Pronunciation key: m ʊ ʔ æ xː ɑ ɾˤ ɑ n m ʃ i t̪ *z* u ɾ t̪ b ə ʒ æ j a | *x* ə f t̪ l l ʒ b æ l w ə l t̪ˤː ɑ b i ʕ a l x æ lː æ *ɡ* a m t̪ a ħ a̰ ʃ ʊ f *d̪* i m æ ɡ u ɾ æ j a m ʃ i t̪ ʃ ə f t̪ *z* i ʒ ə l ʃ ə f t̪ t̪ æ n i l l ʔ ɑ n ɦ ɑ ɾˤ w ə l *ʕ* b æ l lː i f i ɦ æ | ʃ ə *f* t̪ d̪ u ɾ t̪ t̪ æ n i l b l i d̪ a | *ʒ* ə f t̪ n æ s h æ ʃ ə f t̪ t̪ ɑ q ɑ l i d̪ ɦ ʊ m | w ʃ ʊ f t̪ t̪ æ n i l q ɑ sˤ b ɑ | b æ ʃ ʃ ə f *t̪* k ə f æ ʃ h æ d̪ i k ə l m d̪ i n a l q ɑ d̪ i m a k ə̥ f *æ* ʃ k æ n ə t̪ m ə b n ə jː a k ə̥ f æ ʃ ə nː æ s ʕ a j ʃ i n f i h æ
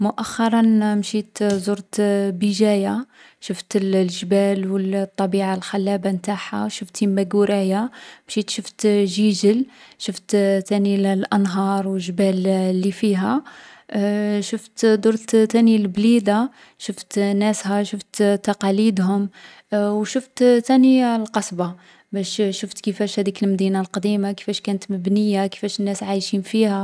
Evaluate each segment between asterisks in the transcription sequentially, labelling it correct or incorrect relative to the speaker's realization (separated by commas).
correct, incorrect, incorrect, incorrect, incorrect, incorrect, correct, incorrect, correct, correct